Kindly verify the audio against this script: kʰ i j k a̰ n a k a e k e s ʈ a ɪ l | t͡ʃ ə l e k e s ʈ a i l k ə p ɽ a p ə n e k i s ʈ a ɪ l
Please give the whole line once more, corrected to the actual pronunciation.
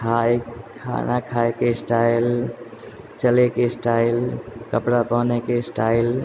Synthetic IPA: kʰ a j kʰ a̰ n a kʰ a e k e s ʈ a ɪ l | t͡ʃ ə l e k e s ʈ a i l k ə p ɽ a p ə n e k e s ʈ a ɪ l